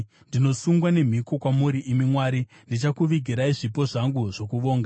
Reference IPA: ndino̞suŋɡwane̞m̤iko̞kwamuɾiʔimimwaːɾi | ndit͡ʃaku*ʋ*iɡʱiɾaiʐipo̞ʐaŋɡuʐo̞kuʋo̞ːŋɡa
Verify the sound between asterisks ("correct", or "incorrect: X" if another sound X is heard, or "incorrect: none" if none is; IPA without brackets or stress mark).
correct